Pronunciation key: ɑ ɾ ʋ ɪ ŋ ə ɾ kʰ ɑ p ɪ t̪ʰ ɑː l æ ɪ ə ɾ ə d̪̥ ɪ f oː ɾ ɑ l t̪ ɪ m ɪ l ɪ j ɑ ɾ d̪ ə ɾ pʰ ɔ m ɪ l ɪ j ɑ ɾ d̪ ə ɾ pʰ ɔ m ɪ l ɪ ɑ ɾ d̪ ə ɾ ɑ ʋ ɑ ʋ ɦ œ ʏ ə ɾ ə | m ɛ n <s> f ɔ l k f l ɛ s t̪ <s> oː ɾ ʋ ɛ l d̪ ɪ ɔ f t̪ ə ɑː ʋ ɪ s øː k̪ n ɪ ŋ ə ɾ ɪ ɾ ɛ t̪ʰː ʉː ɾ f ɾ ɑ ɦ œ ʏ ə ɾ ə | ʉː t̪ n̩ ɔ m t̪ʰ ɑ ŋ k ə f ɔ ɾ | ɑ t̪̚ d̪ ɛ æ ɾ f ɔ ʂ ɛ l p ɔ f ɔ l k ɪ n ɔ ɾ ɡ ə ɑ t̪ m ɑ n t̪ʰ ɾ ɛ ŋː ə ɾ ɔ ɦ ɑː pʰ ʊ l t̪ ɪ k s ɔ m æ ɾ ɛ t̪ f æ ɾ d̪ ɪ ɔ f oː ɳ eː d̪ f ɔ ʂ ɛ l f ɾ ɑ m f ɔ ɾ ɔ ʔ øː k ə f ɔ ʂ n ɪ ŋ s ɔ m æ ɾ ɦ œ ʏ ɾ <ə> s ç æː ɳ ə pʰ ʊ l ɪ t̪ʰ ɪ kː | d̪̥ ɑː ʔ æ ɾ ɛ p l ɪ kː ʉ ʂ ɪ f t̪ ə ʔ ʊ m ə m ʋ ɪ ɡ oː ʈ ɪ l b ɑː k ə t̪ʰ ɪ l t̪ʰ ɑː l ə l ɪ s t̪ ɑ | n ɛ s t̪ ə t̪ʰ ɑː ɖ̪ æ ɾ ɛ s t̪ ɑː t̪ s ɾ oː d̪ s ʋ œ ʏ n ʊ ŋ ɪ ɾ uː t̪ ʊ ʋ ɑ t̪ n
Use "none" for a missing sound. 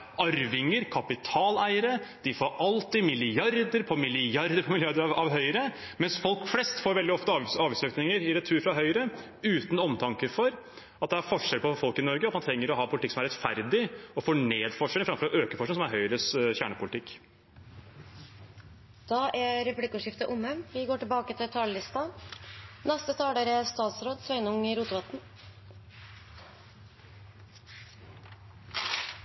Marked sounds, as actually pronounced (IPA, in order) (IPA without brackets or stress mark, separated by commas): s, f, ə